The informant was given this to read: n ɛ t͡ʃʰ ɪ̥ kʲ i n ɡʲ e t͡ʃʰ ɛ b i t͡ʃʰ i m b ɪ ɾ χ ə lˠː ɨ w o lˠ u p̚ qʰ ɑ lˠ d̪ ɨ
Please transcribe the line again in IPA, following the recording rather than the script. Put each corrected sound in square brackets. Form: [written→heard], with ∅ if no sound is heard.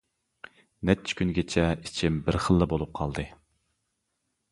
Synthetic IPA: n ɛ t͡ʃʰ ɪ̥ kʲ [i→y] n ɡʲ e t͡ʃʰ ɛ [b→∅] i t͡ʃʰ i m b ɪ ɾ χ ə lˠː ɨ [w→b] o lˠ u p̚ qʰ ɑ lˠ d̪ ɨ